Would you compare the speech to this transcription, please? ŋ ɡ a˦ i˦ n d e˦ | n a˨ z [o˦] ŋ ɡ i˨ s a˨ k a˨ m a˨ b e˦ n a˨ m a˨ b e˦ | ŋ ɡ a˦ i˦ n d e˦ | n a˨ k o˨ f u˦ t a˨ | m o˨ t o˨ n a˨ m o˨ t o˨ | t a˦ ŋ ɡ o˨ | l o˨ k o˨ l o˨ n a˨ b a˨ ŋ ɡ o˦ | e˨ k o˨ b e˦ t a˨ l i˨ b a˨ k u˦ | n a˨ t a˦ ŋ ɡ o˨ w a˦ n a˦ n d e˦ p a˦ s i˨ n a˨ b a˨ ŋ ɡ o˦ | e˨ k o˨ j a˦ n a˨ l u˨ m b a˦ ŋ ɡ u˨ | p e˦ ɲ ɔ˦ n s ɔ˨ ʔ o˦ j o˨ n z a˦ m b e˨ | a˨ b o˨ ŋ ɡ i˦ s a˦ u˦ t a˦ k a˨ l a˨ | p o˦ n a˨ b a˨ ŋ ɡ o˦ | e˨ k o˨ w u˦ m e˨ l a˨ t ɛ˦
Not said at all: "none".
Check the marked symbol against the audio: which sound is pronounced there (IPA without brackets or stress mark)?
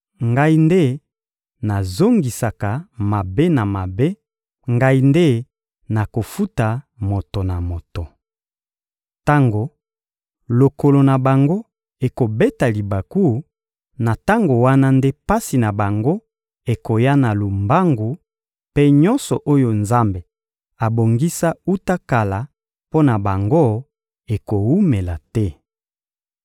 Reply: o˦